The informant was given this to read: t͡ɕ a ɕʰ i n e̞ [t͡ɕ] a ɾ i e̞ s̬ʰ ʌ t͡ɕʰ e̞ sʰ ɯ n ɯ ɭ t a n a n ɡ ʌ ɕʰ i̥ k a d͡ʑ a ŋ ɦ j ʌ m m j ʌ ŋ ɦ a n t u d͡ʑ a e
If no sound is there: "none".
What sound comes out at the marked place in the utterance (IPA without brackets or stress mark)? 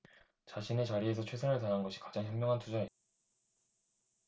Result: t͡ɕ